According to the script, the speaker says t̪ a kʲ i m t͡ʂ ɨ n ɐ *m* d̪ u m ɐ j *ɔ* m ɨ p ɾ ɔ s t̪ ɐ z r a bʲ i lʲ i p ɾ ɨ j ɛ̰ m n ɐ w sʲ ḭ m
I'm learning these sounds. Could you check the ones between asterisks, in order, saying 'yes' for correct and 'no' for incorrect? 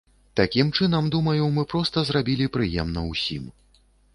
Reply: yes, no

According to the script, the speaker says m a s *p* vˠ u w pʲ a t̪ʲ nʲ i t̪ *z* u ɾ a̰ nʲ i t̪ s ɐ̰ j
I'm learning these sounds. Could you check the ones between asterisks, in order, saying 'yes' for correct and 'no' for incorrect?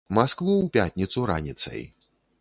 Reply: no, no

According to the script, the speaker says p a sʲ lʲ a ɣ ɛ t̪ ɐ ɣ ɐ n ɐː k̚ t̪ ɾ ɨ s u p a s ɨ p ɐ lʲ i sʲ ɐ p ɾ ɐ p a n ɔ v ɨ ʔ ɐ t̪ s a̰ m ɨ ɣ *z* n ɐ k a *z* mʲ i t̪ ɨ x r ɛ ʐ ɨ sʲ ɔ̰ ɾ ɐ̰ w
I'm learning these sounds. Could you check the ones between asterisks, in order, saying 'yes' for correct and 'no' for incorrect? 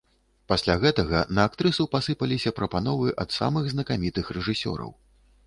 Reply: yes, no

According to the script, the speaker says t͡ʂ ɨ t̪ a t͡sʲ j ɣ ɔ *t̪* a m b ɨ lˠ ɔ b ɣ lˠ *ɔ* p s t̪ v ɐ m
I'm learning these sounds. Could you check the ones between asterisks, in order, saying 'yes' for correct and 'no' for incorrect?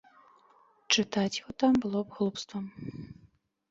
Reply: yes, no

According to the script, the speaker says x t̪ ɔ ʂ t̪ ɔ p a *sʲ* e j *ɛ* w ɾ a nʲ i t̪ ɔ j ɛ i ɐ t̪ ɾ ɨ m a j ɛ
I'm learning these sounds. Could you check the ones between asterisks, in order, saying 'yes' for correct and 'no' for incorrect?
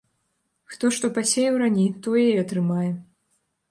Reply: yes, yes

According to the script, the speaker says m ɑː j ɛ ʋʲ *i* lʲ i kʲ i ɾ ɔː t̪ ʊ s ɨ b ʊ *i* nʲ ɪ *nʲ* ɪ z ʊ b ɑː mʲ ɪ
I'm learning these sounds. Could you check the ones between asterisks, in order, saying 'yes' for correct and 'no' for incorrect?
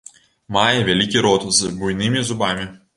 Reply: no, no, no

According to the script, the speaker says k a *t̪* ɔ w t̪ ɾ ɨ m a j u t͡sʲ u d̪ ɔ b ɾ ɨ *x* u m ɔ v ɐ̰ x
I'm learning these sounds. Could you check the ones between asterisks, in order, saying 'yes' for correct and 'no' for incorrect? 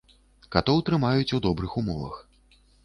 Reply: yes, yes

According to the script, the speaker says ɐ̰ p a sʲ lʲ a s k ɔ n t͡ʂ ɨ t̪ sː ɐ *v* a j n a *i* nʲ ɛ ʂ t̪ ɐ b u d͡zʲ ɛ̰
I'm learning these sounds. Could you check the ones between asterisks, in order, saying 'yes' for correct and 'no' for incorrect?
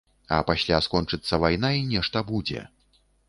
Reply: yes, yes

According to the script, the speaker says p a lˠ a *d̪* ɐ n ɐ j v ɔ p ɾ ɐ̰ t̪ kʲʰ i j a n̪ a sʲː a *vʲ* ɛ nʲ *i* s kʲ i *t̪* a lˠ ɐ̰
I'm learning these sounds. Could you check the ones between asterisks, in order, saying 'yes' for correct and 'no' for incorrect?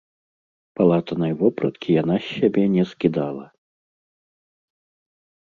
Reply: no, no, no, no

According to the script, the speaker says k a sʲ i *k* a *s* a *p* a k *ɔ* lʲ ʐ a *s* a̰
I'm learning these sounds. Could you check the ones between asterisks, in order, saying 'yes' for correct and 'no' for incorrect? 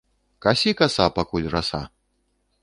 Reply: yes, yes, yes, no, yes

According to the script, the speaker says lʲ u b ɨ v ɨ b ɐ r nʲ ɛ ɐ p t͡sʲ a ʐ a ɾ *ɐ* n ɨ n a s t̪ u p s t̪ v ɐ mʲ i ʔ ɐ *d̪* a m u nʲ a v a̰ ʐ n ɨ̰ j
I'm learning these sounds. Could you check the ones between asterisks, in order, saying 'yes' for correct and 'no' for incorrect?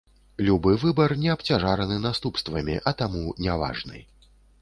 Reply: yes, no

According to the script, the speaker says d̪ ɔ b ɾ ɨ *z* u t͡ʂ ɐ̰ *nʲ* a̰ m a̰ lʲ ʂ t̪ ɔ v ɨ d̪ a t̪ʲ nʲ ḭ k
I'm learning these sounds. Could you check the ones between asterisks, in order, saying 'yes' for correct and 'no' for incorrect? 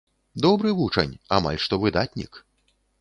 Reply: no, yes

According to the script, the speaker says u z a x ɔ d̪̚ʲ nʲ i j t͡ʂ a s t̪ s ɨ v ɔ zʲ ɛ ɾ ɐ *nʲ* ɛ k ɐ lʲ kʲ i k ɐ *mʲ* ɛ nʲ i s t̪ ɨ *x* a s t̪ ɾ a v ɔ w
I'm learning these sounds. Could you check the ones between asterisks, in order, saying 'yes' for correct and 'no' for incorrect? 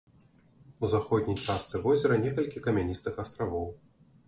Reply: yes, yes, yes

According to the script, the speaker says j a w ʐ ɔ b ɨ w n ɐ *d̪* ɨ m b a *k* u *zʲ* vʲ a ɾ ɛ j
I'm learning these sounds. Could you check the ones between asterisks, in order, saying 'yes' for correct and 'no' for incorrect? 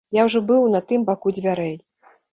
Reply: no, yes, no

